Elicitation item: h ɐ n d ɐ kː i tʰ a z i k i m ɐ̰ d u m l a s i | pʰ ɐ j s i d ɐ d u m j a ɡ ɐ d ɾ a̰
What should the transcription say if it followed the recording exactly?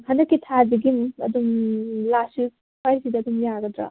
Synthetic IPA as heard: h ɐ n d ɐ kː i tʰ a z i ɡ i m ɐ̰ d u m l a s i | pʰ a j s i d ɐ d u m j a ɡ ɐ d ɾ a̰

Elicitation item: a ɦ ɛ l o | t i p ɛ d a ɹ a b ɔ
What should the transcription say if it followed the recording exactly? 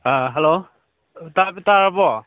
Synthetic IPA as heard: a ɦ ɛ l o | t a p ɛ t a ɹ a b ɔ

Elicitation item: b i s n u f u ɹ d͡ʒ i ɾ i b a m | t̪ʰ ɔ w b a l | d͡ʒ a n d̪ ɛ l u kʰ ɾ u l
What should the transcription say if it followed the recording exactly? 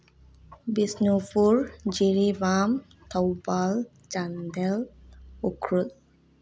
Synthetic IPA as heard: b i s n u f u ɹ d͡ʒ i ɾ i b a m | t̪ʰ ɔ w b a l | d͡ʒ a n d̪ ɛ l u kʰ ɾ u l

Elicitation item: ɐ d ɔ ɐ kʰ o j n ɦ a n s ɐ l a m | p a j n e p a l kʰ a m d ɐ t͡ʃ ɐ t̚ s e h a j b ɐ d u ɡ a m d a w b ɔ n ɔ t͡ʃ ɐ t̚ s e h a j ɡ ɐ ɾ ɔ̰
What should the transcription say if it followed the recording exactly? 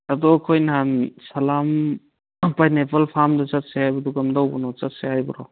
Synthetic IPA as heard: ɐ d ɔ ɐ kʰ o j n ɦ a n s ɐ l a m | p a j n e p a l pʰ a m d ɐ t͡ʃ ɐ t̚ s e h a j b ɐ d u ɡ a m d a w b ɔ n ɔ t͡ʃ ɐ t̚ s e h a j b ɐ ɾ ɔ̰

